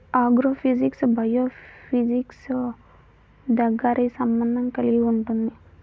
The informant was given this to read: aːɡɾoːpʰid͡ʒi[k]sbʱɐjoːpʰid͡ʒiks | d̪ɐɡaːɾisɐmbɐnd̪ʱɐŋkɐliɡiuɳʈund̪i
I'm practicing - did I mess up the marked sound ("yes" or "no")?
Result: no